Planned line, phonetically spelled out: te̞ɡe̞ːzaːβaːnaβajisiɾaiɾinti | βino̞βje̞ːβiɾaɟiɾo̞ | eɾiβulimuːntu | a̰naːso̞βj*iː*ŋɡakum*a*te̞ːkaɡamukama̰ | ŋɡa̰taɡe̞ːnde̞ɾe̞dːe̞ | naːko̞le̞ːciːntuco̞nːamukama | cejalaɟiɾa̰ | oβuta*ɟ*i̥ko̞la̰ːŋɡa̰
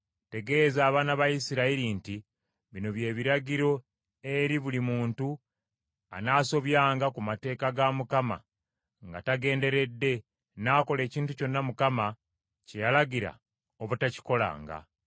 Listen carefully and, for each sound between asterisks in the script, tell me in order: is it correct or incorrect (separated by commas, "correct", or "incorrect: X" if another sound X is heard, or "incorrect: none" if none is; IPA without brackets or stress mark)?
incorrect: aː, correct, incorrect: c